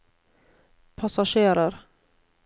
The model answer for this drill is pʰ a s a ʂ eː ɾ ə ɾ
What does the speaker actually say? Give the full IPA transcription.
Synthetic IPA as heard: pʰ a s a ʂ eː ɾ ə ɾ